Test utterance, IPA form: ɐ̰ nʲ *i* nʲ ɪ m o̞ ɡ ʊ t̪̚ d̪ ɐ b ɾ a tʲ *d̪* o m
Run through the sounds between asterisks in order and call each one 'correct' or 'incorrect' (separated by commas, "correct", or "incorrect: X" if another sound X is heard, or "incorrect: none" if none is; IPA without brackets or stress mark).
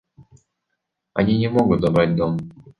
correct, correct